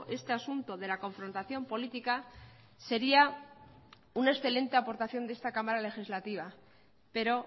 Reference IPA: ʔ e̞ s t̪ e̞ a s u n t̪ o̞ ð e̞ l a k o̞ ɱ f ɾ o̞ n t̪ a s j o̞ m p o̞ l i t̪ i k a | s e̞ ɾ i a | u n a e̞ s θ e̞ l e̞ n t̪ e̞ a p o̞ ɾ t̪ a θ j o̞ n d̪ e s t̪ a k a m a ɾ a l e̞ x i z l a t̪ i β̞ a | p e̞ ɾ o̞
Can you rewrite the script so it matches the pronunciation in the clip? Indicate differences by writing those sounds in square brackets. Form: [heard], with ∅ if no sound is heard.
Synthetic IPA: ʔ e̞ s t̪ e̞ a s u n t̪ o̞ ð e̞ l a k o̞ ɱ f ɾ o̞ n t̪ a [θ] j o̞ m p o̞ l i t̪ i k a | s e̞ ɾ i a | u n a e̞ s θ e̞ l e̞ n t̪ e̞ a p o̞ ɾ t̪ a θ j o̞ n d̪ e s t̪ a k a m a ɾ a l e̞ x i z l a t̪ i β̞ a | p e̞ ɾ o̞